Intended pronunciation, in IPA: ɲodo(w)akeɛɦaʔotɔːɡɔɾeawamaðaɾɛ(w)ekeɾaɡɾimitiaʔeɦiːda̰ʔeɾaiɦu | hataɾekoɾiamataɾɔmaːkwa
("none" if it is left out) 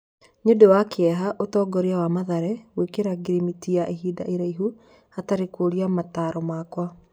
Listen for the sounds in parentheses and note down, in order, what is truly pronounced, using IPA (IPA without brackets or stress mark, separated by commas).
w, w